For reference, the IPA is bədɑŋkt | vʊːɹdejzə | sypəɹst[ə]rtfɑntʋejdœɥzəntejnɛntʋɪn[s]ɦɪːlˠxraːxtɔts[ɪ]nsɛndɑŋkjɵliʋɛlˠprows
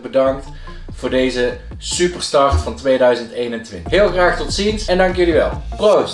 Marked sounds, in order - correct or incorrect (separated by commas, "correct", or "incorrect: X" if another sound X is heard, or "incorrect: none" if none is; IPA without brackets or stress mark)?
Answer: incorrect: ɑ, incorrect: t, incorrect: i